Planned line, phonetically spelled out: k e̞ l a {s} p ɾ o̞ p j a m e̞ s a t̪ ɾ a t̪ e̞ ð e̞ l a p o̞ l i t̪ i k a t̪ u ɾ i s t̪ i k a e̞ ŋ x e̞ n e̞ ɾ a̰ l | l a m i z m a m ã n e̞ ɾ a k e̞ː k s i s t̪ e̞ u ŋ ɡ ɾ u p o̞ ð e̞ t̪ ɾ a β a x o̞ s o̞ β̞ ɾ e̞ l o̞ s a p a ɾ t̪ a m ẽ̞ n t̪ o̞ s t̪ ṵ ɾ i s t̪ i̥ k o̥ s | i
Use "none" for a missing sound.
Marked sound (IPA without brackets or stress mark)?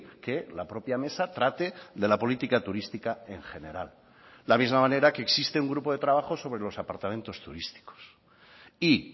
none